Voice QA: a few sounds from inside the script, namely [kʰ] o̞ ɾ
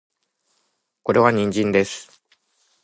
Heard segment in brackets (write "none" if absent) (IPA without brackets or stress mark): k